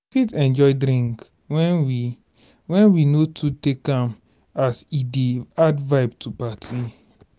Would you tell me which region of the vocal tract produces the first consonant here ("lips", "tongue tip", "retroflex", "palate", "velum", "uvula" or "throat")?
lips